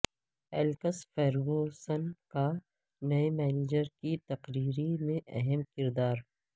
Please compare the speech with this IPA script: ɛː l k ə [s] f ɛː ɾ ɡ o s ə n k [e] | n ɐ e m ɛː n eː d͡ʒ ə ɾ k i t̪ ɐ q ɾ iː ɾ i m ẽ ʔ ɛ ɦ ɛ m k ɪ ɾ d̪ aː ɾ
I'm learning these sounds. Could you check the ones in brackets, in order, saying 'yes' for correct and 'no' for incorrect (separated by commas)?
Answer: yes, no